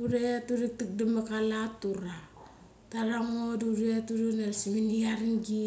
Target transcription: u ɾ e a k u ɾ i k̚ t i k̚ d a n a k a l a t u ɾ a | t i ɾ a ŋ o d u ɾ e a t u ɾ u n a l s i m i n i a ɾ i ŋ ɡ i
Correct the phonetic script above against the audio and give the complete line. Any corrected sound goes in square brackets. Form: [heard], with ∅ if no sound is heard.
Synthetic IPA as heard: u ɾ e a [t] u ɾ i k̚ t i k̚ d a [m] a k a l a t u ɾ a | t [a] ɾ a ŋ o d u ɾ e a t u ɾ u n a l s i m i n i a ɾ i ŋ ɡ i